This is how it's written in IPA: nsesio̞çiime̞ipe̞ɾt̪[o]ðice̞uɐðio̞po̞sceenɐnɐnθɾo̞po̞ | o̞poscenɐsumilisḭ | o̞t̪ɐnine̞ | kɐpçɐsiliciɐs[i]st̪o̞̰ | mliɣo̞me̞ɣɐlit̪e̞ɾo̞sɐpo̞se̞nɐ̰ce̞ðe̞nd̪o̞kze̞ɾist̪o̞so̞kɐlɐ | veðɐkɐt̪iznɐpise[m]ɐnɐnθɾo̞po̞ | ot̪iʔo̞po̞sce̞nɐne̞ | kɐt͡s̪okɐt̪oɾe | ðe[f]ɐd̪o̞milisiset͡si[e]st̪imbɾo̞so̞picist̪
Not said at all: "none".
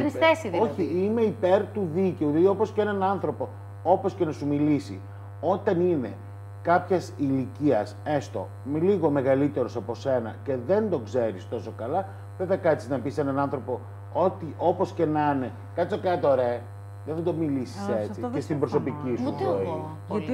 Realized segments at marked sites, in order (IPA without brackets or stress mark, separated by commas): u, e, n, θ, e